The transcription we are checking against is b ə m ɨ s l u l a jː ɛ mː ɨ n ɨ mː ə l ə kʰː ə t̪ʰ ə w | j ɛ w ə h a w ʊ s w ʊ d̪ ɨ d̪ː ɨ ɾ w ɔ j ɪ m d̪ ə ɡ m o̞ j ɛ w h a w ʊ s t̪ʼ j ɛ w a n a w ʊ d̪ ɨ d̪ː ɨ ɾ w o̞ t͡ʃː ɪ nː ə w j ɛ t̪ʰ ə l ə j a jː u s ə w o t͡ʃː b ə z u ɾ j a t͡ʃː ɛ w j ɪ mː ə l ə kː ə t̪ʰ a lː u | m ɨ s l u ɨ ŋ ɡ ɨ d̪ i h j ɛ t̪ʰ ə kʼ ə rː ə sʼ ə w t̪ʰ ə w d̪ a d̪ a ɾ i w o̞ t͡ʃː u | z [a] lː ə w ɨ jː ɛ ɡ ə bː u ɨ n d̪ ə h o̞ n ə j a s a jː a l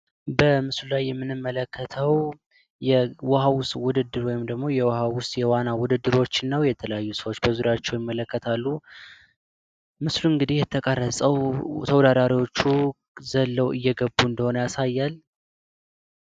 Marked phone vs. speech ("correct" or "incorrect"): incorrect